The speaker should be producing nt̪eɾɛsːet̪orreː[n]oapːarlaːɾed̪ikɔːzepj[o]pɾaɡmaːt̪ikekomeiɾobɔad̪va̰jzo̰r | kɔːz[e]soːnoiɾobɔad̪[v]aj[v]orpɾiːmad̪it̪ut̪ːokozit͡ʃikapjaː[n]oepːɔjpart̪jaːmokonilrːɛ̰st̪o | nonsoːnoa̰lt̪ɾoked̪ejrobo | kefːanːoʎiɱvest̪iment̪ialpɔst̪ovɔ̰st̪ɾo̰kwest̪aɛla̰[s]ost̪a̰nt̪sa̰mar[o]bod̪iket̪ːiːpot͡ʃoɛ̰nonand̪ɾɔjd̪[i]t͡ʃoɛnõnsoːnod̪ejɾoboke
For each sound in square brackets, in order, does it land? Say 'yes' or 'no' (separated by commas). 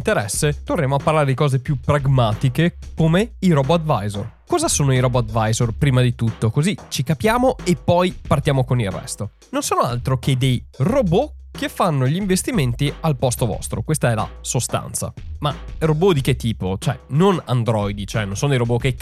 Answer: no, no, no, yes, no, no, yes, yes, yes